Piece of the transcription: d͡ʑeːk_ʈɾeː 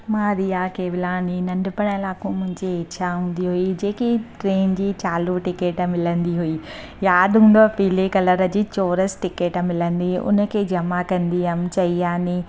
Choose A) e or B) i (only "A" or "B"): B